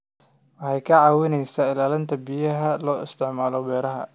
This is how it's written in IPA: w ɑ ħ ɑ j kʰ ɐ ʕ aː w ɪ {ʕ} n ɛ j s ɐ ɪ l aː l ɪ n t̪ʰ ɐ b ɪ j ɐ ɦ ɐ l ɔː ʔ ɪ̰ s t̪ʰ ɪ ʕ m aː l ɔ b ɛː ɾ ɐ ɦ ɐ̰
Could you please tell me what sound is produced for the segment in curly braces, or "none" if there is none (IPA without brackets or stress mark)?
none